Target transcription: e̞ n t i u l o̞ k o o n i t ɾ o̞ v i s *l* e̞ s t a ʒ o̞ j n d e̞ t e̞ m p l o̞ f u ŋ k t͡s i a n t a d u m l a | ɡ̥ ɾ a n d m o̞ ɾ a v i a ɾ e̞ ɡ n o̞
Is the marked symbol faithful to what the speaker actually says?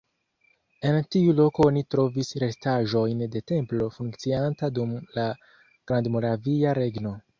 no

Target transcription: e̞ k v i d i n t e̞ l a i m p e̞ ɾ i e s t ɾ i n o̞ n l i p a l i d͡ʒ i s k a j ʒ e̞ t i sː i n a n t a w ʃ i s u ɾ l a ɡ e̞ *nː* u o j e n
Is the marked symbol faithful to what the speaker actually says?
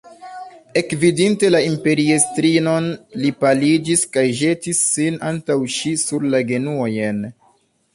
no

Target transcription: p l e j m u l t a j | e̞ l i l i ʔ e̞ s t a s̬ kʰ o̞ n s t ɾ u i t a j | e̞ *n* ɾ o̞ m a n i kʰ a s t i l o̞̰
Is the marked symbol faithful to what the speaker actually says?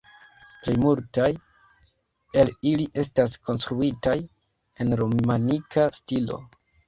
yes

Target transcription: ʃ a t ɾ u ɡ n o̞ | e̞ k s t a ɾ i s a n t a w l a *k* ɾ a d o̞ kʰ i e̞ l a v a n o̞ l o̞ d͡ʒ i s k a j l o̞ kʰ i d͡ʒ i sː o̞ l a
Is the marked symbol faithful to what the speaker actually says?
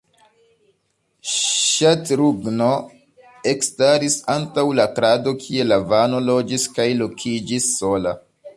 yes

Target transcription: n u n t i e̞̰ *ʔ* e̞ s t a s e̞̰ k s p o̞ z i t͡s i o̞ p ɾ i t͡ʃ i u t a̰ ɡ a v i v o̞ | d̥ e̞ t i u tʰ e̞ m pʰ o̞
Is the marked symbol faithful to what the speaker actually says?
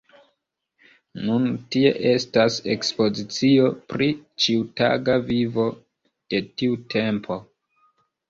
yes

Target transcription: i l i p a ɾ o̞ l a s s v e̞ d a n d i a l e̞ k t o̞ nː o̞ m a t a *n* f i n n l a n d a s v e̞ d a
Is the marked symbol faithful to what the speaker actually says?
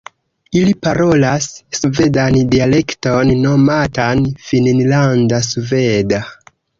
yes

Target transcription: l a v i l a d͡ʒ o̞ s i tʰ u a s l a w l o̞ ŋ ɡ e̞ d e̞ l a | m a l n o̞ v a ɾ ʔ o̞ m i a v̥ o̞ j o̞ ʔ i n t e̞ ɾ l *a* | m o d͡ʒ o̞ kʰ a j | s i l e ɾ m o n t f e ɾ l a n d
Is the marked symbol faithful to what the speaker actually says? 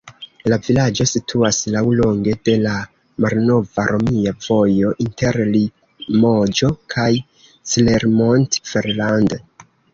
no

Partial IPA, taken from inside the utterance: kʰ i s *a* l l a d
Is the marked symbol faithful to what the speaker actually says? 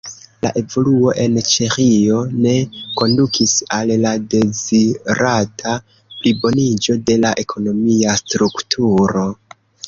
yes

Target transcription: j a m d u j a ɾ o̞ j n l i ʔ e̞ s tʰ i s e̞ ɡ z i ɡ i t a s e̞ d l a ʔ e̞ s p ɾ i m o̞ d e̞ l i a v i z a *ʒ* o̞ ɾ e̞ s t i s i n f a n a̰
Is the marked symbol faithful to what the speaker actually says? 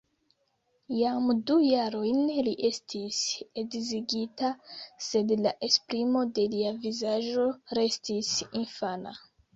yes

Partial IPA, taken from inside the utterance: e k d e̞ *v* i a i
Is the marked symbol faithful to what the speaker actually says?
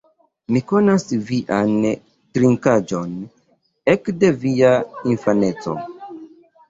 yes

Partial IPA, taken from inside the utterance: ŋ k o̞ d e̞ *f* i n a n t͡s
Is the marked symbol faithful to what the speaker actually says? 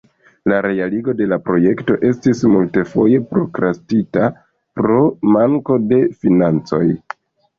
yes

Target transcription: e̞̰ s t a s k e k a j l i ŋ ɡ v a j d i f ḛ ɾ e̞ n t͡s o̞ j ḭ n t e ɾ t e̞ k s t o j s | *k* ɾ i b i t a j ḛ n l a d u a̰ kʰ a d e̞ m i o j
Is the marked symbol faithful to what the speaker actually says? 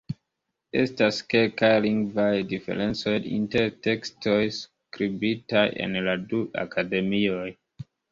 yes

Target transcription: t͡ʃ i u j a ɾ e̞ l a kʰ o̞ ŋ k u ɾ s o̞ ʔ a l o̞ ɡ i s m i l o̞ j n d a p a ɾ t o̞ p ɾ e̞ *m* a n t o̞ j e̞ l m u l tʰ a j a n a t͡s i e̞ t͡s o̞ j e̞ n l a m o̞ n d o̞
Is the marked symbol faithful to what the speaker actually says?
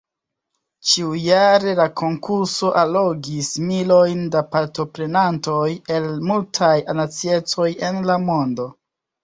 no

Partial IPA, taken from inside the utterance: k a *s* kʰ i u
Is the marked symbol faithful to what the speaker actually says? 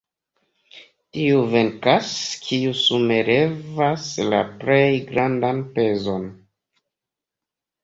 yes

